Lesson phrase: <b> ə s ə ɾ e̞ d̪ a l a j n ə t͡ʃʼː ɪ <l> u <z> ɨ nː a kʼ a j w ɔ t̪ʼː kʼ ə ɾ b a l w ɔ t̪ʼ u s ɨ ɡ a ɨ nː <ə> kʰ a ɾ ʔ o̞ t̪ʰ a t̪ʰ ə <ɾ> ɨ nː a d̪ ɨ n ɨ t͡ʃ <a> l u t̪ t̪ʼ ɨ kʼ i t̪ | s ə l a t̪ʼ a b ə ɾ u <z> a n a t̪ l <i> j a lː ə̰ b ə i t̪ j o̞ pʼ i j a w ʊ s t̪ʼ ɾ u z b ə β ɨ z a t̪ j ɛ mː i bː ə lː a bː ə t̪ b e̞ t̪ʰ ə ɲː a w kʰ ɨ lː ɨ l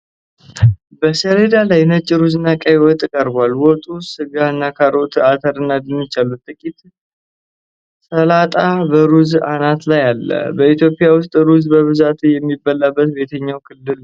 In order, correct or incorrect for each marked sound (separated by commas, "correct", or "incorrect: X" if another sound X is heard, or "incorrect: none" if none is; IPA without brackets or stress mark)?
correct, incorrect: ɾ, correct, incorrect: a, correct, correct, correct, incorrect: a